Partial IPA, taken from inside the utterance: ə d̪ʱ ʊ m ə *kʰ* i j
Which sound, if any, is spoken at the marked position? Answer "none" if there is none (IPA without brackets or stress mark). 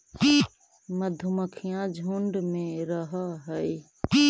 kʰ